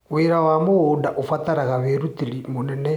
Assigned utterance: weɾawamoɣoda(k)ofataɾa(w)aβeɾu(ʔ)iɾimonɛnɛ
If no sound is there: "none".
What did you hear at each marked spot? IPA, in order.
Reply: ʔ, ɣ, t

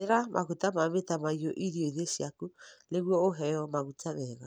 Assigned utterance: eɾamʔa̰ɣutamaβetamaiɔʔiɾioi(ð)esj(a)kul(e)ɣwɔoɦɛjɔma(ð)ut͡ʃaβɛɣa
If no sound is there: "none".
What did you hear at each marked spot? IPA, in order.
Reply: ð, a, e, ɣ

